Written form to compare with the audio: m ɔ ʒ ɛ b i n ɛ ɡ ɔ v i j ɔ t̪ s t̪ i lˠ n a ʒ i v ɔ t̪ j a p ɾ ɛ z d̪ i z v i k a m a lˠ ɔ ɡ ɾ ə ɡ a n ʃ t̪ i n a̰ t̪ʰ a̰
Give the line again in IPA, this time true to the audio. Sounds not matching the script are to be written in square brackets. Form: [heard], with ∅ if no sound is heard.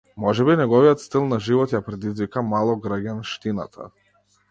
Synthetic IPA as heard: m ɔ ʒ ɛ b i n ɛ ɡ ɔ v i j ɔ t̪ s t̪ i lˠ n a ʒ i v ɔ t̪ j a p ɾ ɛ [∅] d̪ i z v i k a m a lˠ ɔ ɡ ɾ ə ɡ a n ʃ t̪ i n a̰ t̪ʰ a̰